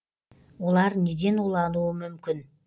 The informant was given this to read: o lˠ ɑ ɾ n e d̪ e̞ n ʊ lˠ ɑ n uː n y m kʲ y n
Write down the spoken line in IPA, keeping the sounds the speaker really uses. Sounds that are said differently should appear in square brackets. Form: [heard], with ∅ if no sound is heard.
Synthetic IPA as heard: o lˠ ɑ ɾ n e d̪ e̞ n [u] lˠ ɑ n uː [m] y m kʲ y n